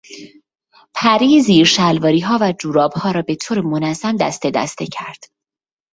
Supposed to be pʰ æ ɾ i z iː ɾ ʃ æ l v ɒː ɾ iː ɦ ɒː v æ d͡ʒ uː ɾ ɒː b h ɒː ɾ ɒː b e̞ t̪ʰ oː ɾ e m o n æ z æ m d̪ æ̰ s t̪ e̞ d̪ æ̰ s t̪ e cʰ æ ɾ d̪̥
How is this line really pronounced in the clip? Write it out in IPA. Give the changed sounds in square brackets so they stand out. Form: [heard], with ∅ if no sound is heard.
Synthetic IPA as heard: pʰ æ ɾ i z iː ɾ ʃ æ l v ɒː ɾ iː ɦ ɒː v æ d͡ʒ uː ɾ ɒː b h ɒː ɾ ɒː b e̞ t̪ʰ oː ɾ e m o n æ z æ m d̪ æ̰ s t̪ e̞ d̪ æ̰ s t̪ e cʰ æ ɾ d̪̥